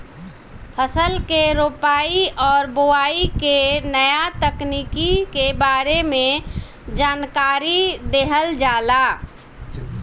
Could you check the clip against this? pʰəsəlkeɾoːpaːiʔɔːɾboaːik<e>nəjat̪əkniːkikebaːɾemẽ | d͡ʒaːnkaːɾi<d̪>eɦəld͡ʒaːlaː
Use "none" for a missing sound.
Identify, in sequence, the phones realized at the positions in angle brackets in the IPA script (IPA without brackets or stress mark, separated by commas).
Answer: e, d̪